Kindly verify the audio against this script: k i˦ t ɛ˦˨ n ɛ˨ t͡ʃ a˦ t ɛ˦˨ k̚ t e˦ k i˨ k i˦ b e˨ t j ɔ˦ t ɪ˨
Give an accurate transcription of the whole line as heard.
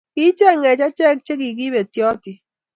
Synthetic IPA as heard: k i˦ t͡ʃ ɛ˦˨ ŋ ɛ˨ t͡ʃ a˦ t͡ʃ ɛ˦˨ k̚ t͡ʃ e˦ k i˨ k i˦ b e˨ t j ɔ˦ t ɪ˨